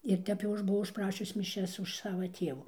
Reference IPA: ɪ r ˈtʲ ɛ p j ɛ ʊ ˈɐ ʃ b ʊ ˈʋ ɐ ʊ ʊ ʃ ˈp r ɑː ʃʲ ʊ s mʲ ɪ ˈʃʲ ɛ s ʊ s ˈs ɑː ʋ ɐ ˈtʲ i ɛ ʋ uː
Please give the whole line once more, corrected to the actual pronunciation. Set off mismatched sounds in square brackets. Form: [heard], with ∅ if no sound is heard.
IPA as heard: ɪ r ˈtʲ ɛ p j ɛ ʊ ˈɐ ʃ b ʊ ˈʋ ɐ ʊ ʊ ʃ ˈp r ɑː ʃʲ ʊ s mʲ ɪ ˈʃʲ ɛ s ʊ [ʃ] ˈs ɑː ʋ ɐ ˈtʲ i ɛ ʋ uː